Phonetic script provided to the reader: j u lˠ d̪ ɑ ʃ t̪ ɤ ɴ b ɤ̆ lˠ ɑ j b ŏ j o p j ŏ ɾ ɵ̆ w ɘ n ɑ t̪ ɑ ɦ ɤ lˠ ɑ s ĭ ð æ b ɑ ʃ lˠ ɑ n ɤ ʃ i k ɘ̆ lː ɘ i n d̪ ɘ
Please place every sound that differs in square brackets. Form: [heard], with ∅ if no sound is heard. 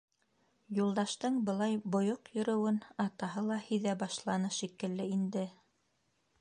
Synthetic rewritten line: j u lˠ d̪ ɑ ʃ t̪ ɤ ɴ b ɤ̆ lˠ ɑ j b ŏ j o [q] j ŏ ɾ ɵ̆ w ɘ n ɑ t̪ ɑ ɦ ɤ lˠ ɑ [h] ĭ ð æ b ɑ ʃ lˠ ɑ n ɤ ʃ i k ɘ̆ lː ɘ i n d̪ ɘ

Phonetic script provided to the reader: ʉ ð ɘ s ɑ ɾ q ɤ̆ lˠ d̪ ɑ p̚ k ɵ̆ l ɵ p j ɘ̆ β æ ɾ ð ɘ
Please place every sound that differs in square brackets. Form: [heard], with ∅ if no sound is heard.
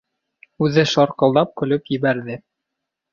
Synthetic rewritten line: ʉ ð ɘ [ʃ] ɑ ɾ q ɤ̆ lˠ d̪ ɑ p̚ k ɵ̆ l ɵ p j ɘ̆ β æ ɾ ð ɘ

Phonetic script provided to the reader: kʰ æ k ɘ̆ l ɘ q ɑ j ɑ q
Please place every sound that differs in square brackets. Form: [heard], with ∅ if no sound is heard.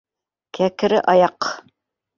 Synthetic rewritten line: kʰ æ k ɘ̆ [ɾ] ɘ [ʔ] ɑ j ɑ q

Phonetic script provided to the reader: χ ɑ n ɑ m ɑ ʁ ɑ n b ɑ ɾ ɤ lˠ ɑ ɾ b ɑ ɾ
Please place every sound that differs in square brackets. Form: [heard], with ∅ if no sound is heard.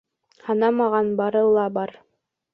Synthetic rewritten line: [h] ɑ n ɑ m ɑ ʁ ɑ n b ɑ ɾ ɤ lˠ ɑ [∅] b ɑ ɾ

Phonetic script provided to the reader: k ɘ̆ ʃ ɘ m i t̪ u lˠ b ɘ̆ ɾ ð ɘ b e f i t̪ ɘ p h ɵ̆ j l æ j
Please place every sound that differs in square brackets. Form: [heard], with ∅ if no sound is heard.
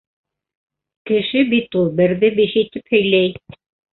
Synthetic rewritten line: k ɘ̆ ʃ ɘ [b] i t̪ u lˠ b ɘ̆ ɾ ð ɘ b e [ʃ] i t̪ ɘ p h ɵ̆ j l æ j

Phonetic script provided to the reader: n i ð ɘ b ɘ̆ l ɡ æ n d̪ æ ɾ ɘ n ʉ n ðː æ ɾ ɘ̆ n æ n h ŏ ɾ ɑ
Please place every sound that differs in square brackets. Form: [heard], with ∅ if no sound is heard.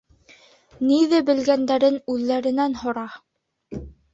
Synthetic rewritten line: n i ð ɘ b ɘ̆ l ɡ æ n d̪ æ ɾ ɘ n ʉ [∅] ðː æ ɾ ɘ̆ n æ n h ŏ ɾ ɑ

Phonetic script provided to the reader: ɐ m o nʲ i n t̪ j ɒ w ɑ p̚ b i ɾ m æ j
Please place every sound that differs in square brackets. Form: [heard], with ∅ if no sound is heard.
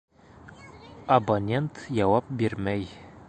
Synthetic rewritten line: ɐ [b] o nʲ [e] n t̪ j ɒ w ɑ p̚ b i ɾ m æ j

